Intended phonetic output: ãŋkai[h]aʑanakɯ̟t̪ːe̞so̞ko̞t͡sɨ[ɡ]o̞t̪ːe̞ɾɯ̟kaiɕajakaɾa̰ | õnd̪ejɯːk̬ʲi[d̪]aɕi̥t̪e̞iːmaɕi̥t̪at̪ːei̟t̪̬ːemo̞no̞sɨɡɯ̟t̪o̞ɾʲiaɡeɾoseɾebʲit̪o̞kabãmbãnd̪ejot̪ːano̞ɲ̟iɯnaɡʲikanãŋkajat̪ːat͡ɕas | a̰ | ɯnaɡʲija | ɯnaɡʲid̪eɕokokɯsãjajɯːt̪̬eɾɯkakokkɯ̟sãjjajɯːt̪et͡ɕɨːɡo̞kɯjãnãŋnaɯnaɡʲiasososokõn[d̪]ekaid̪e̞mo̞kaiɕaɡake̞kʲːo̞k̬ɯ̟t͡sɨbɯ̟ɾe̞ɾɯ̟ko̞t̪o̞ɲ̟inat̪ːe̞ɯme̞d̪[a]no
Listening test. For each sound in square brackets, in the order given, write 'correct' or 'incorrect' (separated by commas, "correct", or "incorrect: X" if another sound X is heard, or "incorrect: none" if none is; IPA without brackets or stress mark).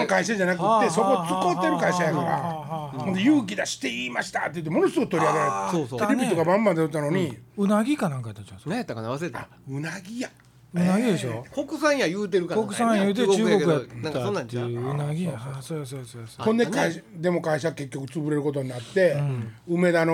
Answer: incorrect: ɕ, incorrect: k, correct, correct, correct